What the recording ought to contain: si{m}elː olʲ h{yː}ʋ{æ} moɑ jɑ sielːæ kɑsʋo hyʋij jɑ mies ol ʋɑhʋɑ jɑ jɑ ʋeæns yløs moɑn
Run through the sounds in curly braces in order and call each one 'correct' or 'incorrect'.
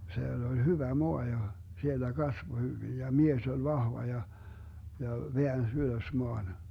incorrect: none, incorrect: y, correct

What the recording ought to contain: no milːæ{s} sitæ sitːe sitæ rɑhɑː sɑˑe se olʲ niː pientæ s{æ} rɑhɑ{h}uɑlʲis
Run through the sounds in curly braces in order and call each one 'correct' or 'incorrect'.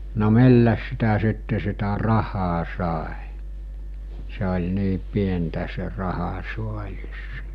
correct, incorrect: e, incorrect: s

